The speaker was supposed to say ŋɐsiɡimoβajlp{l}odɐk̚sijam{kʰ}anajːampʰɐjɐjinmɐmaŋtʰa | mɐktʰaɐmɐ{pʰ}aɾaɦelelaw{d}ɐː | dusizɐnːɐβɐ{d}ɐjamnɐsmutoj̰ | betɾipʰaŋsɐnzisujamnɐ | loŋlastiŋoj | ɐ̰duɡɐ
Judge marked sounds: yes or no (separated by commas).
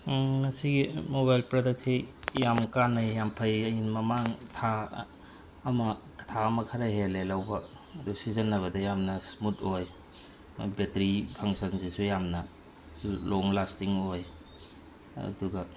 no, no, no, no, yes